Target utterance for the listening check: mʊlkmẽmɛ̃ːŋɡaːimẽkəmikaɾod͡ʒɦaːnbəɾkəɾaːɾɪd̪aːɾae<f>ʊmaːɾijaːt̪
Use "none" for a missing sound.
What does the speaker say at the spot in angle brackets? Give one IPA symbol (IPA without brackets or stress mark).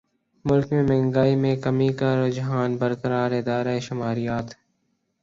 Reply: ʃ